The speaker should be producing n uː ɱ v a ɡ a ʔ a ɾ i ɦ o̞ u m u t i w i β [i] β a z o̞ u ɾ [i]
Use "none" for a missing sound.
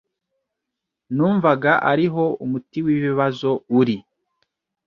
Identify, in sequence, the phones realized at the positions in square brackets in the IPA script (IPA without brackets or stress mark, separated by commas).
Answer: i, i